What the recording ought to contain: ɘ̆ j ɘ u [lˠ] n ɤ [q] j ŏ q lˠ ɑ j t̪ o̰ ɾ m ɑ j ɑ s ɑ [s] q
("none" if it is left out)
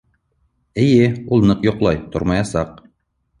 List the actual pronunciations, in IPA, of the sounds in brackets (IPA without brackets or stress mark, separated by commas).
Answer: lˠ, q, none